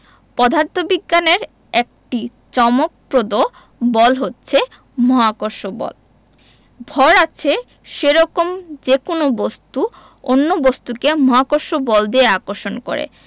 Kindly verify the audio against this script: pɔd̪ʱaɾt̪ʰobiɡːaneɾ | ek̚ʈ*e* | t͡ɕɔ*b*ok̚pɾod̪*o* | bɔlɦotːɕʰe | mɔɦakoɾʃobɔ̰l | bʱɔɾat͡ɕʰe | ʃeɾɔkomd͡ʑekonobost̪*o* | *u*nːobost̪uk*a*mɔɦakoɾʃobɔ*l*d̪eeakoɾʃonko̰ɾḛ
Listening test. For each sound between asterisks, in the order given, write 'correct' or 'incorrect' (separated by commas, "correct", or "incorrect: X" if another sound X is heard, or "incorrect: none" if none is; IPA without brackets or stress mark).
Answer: incorrect: i, incorrect: m, correct, incorrect: u, incorrect: o, incorrect: e, correct